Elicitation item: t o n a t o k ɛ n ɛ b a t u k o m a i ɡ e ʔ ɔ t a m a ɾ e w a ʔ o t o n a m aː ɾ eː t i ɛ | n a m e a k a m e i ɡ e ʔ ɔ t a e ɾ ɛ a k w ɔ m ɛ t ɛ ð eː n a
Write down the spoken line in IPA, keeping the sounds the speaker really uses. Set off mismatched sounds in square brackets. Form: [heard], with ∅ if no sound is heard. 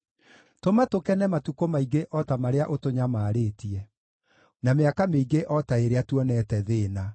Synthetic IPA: t o [m] a t o k ɛ n ɛ [m] a t u k o m a i ɡ e ʔ ɔ t a m a ɾ e [∅] a ʔ o t o [ɲ] a m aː ɾ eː t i ɛ | n a m e a k a m e i ɡ e ʔ ɔ t a e ɾ [e] a [t] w ɔ [n] ɛ t ɛ ð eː n a